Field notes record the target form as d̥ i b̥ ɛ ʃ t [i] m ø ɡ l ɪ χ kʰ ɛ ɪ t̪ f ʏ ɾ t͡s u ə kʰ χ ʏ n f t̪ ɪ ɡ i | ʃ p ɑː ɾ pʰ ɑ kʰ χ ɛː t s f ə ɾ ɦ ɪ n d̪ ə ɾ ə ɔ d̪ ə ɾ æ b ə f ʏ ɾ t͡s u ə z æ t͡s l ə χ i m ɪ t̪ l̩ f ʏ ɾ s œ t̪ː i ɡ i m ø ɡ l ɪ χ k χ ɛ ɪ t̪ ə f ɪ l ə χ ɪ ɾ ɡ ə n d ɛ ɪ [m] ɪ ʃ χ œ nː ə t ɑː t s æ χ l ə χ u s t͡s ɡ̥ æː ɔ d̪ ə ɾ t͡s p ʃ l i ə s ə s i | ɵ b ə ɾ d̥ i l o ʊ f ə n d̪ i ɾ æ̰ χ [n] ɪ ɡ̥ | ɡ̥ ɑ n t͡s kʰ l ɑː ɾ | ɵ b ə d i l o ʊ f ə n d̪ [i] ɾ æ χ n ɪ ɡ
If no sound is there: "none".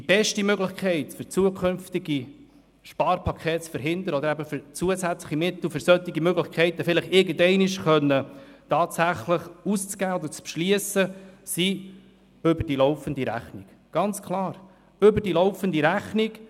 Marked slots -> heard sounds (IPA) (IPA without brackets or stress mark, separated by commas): i, n, n, i